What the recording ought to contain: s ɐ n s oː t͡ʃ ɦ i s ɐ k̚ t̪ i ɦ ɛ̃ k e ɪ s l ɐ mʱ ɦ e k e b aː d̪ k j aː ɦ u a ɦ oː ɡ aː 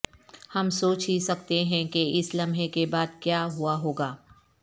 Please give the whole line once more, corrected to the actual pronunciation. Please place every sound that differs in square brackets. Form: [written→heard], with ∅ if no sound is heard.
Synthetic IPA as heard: [s→h] ɐ [n→m] s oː t͡ʃ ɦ i s ɐ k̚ t̪ [i→e] ɦ ɛ̃ k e ɪ s l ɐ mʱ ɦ e k e b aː d̪ k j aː ɦ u a ɦ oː ɡ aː